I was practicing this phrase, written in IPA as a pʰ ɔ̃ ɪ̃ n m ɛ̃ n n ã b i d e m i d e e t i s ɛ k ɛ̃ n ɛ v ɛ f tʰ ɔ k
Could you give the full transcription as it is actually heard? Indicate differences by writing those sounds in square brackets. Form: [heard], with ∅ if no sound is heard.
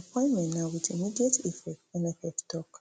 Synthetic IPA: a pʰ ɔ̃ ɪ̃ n m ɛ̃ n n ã [w] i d [i] m i d [i] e t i [f] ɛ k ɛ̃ n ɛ [f] ɛ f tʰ ɔ k